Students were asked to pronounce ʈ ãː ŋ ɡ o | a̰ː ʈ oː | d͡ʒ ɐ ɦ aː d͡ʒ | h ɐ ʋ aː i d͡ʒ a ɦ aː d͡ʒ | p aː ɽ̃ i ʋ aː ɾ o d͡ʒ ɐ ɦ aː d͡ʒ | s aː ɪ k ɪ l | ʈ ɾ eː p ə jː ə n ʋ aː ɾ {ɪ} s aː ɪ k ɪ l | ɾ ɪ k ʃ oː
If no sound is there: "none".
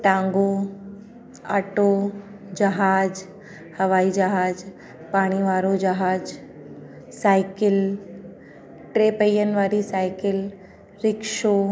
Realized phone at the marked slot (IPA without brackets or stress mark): i